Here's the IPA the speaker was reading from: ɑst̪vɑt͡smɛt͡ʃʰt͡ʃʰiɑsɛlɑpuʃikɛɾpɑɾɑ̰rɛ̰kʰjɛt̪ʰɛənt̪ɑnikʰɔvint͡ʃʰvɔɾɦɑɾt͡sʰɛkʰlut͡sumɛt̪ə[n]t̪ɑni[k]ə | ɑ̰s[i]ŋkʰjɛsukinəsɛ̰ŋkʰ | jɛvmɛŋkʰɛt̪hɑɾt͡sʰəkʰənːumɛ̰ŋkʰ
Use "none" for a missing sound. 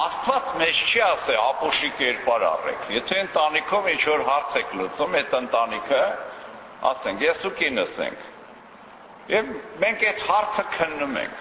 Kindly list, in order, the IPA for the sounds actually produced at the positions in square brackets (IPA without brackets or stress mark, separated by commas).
n, kʰ, ɛ